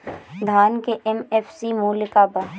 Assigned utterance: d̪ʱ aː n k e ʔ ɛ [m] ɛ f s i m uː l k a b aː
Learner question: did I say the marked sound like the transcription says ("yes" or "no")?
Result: yes